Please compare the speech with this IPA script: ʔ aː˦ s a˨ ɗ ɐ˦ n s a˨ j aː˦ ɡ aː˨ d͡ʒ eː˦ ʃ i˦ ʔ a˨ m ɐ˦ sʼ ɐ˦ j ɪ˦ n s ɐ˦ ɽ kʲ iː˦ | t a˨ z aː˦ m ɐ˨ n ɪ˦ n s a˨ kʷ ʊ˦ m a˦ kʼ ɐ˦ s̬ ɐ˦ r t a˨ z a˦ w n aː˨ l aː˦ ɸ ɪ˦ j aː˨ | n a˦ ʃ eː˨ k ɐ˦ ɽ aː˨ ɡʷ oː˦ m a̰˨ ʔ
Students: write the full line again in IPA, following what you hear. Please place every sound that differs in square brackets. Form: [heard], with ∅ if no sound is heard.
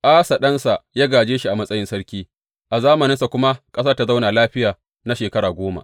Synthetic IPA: ʔ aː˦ s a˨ ɗ ɐ˦ n s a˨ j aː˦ ɡ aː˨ d͡ʒ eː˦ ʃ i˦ ʔ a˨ m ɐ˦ sʼ ɐ˦ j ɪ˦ n s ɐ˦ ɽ kʲ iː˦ | [ʔ] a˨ z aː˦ m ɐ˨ n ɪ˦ n s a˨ kʷ ʊ˦ m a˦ kʼ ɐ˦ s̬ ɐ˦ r t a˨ z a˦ w n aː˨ l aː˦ ɸ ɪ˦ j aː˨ | n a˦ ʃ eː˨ k ɐ˦ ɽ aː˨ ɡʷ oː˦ m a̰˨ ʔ